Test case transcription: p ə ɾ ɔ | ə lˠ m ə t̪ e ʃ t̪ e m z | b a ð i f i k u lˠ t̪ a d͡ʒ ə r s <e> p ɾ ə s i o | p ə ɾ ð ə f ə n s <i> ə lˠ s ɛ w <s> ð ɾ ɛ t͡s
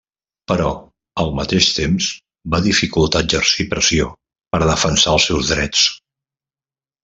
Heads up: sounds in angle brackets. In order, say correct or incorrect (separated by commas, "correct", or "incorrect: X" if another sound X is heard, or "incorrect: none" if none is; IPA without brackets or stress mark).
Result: incorrect: i, incorrect: a, incorrect: z